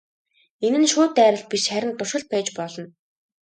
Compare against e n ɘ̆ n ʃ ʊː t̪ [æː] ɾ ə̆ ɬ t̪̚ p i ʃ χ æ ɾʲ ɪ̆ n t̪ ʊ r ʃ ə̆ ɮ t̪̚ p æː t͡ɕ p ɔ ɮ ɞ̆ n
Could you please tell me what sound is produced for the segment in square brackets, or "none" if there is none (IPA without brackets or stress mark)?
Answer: æː